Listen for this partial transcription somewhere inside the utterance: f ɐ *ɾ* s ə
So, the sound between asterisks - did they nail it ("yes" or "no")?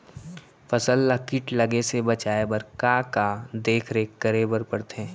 no